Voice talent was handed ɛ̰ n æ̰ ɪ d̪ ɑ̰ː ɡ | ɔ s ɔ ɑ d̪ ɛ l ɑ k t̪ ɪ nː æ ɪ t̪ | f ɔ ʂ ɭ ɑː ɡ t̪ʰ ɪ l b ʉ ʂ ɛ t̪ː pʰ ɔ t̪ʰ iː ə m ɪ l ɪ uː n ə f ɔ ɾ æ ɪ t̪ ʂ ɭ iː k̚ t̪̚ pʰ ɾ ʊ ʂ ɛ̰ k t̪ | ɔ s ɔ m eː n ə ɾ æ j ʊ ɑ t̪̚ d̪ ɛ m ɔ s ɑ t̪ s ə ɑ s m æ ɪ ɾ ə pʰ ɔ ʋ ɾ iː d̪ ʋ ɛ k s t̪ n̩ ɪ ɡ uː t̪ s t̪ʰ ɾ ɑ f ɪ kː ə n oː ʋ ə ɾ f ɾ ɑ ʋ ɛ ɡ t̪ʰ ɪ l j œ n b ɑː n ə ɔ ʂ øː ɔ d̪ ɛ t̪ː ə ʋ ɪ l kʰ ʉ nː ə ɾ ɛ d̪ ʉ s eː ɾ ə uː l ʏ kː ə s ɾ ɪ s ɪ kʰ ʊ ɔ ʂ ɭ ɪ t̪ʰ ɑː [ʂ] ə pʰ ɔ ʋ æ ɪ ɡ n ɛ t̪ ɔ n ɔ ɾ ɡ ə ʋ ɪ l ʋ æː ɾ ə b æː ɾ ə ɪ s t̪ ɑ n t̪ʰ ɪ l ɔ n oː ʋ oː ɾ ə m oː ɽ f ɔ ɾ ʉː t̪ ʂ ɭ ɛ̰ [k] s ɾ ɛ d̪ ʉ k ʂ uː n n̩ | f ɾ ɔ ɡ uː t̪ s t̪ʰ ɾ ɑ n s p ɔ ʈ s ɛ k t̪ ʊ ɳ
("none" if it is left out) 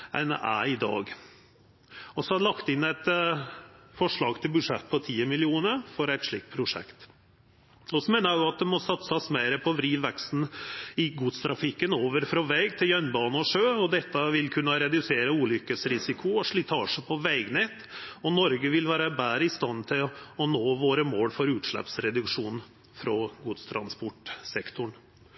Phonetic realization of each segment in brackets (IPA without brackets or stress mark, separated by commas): ʂ, p